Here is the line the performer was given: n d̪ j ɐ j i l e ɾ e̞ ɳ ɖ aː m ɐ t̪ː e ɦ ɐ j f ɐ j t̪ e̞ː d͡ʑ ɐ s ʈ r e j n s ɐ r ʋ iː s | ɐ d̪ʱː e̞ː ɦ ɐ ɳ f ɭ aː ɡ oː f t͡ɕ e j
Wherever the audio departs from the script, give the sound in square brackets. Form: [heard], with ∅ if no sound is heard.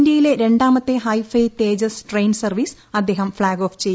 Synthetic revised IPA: n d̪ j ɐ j i l e ɾ e̞ ɳ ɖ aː m ɐ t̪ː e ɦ ɐ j f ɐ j t̪ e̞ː d͡ʑ ɐ s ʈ r e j n s ɐ r ʋ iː s | ɐ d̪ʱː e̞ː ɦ ɐ [m] f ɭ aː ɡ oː f t͡ɕ e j